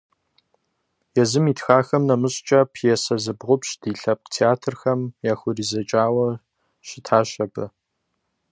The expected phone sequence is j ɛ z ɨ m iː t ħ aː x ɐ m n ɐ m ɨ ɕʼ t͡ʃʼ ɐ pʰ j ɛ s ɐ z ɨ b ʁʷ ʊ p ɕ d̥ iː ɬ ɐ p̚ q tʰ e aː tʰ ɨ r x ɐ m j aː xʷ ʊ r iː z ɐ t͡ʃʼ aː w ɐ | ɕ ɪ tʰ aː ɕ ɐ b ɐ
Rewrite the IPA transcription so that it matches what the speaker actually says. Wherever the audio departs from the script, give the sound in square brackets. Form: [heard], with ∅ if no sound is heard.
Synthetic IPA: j ɛ z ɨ m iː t [x] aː x ɐ m n ɐ m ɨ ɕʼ t͡ʃʼ ɐ pʰ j ɛ s ɐ z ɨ b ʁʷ ʊ p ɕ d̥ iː ɬ ɐ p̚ q tʰ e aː tʰ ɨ r x ɐ m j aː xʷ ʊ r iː z ɐ t͡ʃʼ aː w ɐ | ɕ ɪ tʰ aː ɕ ɐ b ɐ